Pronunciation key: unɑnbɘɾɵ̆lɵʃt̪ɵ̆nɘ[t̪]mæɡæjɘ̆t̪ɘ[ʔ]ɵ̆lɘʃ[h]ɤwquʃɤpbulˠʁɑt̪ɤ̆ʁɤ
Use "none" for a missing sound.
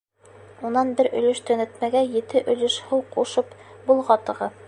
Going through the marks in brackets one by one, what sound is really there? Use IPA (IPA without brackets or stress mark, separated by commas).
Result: t̪, ʔ, h